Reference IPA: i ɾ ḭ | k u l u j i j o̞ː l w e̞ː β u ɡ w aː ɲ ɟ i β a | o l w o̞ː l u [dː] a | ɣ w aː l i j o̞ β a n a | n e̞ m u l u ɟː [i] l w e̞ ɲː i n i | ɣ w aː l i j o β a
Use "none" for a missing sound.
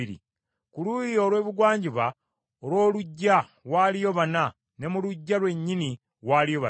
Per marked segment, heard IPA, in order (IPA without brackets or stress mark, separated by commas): ɟː, a